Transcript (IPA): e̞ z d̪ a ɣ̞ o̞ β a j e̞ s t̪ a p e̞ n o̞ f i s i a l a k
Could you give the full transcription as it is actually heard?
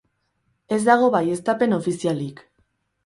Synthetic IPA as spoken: e̞ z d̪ a ɣ̞ o̞ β a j e̞ s t̪ a p e̞ n o̞ f i s i a l i k